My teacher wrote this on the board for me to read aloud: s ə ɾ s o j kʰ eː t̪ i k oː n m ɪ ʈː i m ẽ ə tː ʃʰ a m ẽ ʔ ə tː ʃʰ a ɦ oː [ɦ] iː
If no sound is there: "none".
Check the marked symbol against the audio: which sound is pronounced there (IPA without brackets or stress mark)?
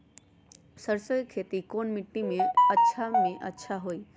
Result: none